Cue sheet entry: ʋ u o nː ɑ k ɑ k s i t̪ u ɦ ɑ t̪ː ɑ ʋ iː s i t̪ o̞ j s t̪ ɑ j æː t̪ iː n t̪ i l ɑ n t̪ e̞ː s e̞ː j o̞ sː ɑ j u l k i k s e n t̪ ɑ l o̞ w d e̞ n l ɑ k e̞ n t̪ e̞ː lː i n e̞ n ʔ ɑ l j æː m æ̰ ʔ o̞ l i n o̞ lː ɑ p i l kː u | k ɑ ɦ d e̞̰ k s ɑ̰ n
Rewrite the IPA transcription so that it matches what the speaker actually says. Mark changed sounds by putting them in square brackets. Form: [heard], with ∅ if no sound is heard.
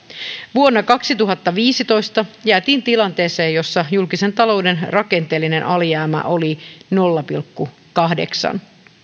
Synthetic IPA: ʋ u o nː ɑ k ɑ k s i t̪ u ɦ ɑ t̪ː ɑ ʋ iː s i t̪ o̞ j s t̪ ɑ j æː t̪ iː n t̪ i l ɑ n t̪ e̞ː s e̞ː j o̞ sː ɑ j u l k i [∅] s e n t̪ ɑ l o̞ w d e̞ n [r] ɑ k e̞ n t̪ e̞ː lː i n e̞ n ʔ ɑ l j æː m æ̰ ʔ o̞ l i n o̞ lː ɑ p i l kː u | k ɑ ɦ d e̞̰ k s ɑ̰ n